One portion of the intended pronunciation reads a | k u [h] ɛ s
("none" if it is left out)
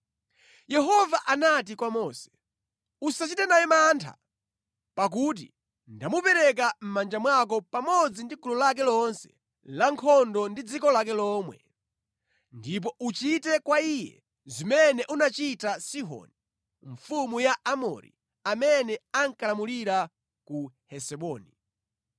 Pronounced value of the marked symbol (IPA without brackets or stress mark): h